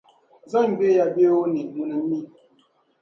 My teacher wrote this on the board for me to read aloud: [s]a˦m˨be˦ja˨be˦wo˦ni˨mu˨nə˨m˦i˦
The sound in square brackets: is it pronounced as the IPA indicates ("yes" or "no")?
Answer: no